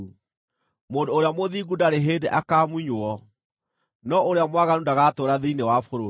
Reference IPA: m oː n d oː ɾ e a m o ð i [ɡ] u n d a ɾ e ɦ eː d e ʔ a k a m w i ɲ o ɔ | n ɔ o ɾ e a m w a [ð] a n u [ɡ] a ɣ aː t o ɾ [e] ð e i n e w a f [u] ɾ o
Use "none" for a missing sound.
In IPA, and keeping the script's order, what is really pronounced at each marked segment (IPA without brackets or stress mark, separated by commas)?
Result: ɡ, ɣ, d, a, o